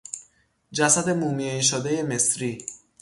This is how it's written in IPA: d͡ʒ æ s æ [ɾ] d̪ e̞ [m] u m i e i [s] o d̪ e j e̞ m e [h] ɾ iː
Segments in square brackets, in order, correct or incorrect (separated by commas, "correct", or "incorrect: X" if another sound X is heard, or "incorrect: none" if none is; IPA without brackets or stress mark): incorrect: none, correct, incorrect: ʃ, incorrect: s